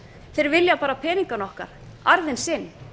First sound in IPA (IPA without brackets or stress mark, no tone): θ